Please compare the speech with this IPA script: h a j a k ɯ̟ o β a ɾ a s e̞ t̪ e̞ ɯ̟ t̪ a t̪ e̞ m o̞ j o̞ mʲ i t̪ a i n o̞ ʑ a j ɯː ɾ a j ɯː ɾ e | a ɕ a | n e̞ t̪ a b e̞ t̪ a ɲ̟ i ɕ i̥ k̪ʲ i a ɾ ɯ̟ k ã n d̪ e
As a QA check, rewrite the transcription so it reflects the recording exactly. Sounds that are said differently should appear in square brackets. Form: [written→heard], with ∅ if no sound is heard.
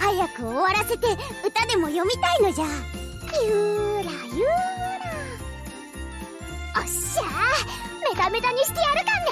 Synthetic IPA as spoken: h a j a k ɯ̟ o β a ɾ a s e̞ t̪ e̞ ɯ̟ t̪ a [t̪→d̪] e̞ m o̞ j o̞ mʲ i t̪ a i n o̞ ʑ a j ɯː ɾ a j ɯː ɾ [e→a] | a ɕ a | [n→m] e̞ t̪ a [b→m] e̞ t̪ a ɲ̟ i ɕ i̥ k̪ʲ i a ɾ ɯ̟ k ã n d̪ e